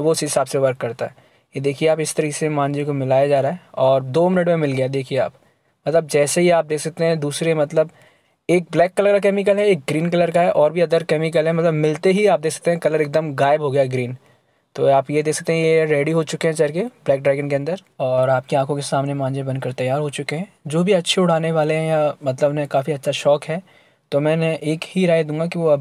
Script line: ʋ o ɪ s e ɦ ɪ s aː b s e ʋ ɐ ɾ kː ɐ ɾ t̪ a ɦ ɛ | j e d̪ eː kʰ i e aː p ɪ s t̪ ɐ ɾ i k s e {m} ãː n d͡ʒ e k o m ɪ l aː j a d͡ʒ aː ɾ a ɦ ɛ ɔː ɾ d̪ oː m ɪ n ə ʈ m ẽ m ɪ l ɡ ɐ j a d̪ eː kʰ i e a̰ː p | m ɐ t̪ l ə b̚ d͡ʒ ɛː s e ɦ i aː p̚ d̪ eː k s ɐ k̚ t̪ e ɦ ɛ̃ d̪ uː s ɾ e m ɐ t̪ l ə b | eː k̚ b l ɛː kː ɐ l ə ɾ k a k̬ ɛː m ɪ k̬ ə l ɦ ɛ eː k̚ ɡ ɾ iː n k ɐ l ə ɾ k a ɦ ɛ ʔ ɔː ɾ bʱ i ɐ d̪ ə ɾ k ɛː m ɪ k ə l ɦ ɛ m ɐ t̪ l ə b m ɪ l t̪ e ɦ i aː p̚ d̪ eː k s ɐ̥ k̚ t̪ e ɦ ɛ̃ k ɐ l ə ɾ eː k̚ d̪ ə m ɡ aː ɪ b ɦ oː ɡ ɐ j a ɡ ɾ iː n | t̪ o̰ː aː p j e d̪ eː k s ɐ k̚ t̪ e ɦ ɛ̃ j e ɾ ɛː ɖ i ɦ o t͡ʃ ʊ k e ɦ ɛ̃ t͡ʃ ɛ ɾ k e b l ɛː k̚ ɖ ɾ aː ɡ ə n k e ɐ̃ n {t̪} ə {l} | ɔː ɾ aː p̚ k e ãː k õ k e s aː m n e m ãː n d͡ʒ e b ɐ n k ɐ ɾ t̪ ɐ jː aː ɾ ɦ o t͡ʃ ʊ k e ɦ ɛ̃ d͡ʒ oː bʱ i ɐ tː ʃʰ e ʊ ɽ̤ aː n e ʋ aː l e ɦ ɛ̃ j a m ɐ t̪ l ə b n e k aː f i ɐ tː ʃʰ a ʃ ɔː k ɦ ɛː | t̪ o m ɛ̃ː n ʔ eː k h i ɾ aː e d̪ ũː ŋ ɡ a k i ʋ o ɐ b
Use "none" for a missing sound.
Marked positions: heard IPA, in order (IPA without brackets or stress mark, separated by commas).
m, d̪, ɾ